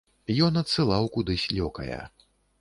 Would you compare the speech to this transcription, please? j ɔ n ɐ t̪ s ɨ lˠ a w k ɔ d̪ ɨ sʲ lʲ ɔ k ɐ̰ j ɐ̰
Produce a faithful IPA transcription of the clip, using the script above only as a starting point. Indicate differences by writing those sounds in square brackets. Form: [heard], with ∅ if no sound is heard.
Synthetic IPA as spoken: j ɔ n ɐ t̪ s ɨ lˠ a w k [u] d̪ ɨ sʲ lʲ ɔ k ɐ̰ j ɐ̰